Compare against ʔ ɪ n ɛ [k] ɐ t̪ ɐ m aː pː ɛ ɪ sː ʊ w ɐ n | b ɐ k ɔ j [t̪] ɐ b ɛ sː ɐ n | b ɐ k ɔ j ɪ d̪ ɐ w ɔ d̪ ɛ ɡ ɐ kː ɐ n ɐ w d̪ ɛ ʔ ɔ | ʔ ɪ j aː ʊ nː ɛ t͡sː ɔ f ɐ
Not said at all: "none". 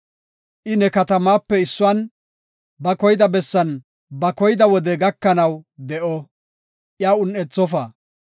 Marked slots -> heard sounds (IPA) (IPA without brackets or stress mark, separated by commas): k, d̪